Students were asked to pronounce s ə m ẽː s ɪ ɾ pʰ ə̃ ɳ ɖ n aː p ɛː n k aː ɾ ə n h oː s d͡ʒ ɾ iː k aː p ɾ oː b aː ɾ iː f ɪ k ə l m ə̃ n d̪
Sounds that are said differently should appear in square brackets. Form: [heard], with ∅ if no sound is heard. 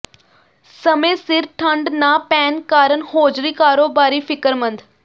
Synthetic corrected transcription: s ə m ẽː s ɪ ɾ [ʈʰ] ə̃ ɳ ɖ n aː p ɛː n k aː ɾ ə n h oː [∅] d͡ʒ ɾ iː k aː [∅] ɾ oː b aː ɾ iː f ɪ k ə [ɾ] m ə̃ n d̪